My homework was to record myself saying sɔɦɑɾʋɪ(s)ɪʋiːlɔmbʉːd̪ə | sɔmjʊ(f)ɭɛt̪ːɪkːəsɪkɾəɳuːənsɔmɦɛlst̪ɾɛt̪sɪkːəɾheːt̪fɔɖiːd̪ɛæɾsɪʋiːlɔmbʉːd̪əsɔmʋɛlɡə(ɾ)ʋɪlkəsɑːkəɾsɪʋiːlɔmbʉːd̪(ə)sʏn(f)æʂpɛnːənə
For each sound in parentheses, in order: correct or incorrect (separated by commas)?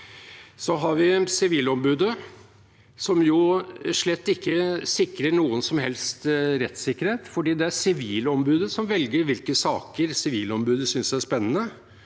correct, incorrect, correct, correct, incorrect